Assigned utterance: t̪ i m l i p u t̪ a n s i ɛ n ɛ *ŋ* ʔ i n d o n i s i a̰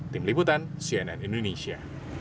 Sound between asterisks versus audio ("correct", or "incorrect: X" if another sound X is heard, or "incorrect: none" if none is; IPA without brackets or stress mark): incorrect: n